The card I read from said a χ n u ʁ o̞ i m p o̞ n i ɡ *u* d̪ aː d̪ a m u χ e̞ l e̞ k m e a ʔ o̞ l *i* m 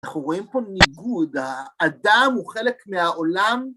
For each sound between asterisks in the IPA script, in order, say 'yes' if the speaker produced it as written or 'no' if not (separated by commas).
yes, no